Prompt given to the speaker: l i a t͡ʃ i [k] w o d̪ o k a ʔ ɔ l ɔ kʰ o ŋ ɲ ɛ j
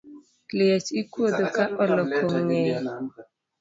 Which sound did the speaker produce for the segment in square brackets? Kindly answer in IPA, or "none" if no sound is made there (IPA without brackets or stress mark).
k